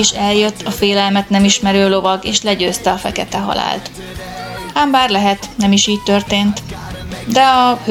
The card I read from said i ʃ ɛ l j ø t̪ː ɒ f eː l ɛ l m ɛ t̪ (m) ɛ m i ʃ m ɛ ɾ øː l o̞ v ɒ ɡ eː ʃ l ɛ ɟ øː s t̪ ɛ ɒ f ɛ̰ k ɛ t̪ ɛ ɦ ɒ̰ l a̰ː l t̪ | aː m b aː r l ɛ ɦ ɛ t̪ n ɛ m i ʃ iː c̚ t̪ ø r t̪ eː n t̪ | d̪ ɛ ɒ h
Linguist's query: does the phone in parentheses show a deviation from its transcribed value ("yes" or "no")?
yes